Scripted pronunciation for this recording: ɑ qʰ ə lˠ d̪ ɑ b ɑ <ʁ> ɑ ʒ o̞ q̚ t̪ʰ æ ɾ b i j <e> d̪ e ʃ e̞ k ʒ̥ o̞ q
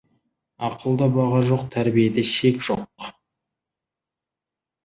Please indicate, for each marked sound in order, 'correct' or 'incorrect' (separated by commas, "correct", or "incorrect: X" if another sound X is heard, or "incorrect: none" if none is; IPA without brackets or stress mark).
correct, correct